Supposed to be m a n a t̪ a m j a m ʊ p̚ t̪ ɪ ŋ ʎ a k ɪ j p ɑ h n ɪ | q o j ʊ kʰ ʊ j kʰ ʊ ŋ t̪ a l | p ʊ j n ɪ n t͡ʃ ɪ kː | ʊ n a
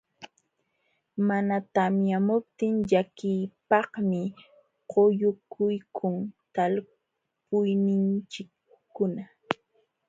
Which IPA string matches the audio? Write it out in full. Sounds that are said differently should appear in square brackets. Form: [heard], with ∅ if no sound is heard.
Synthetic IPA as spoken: m a n a t̪ a m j a m ʊ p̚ t̪ ɪ ŋ ʎ a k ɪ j p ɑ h [m] ɪ | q o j ʊ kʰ ʊ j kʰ ʊ ŋ t̪ a l | p ʊ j n ɪ n t͡ʃ ɪ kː | ʊ n a